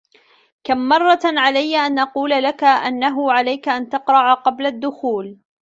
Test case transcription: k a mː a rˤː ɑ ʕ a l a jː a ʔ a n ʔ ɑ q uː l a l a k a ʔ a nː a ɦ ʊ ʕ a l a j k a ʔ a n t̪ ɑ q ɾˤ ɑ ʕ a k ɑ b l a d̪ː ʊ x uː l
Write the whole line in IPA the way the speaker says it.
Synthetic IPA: k a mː ɑ rˤː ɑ ʕ a l a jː a ʔ a n ʔ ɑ q uː l a l a k a ʔ a nː a ɦ ʊ ʕ a l a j k a ʔ a n t̪ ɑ q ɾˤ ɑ ʕ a q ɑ b l a d̪ː ʊ x uː l